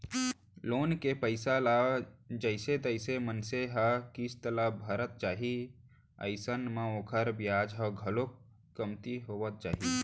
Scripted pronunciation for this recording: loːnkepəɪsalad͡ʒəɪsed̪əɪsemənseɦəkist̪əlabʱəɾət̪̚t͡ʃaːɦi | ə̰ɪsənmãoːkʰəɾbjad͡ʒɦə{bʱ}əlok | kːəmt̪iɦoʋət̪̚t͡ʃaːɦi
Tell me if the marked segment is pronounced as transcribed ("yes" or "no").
no